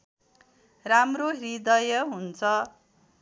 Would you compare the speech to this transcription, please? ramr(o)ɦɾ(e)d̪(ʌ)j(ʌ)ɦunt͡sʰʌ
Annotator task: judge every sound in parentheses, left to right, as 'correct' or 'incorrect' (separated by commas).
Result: correct, incorrect, correct, correct